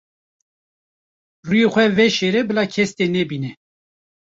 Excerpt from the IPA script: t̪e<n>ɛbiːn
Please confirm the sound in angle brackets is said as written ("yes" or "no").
yes